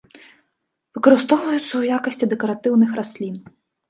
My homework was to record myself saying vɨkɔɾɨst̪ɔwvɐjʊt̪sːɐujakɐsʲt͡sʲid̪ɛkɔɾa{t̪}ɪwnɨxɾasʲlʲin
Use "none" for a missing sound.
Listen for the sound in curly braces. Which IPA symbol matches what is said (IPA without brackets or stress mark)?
t̪